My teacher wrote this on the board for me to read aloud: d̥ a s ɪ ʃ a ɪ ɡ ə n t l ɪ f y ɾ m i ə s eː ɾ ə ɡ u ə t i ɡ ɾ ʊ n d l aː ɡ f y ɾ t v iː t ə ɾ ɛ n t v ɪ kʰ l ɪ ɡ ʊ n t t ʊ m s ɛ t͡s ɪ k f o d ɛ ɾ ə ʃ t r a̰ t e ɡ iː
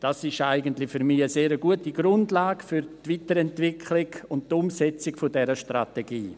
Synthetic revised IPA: d̥ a s ɪ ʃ a ɪ ɡ ə n t l ɪ f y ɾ m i ə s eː ɾ ə ɡ u ə t i ɡ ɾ ʊ n d l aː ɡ f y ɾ t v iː t ə ɾ ɛ n t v ɪ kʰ l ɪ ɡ ʊ n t t ʊ m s ɛ t͡s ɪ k f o d ɛ ɾ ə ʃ t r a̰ t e ɡ iː